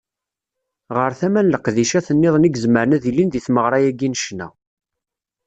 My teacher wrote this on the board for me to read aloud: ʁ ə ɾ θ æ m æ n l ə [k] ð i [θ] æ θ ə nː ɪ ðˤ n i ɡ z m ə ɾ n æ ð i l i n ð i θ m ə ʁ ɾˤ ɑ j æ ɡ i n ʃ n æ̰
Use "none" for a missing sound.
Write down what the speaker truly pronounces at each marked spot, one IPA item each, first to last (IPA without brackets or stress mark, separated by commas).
q, ʃ